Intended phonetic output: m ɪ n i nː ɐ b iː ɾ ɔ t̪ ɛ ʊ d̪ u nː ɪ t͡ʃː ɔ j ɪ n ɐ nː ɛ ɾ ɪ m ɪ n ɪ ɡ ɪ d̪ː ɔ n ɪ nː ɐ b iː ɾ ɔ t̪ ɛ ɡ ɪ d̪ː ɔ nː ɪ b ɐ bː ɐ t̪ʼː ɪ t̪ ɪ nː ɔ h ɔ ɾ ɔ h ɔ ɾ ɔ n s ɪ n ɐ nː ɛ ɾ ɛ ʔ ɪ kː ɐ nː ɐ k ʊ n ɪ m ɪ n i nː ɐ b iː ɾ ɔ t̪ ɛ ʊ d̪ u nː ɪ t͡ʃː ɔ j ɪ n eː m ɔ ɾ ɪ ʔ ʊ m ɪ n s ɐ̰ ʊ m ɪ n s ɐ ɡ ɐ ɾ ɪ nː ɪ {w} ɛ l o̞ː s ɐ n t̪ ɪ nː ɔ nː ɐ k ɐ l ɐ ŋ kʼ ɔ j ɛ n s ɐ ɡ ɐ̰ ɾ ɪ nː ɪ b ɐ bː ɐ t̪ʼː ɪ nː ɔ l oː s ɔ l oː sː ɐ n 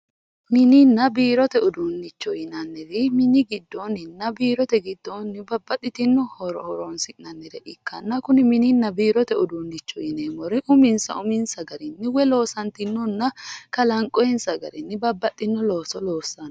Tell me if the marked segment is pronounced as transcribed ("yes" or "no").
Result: yes